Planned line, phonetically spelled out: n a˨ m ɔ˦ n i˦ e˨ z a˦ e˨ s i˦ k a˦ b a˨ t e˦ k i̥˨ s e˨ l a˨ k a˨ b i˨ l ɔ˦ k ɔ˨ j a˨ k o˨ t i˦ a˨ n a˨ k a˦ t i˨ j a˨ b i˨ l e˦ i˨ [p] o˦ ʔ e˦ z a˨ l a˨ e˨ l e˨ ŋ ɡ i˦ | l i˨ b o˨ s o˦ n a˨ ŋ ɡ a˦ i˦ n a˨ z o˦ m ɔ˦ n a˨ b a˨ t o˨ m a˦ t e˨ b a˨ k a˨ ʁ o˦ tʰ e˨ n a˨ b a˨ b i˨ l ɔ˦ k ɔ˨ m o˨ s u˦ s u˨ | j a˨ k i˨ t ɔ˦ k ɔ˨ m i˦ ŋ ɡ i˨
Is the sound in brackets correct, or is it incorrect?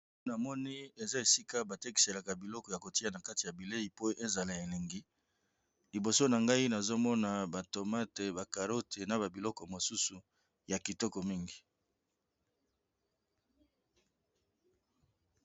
correct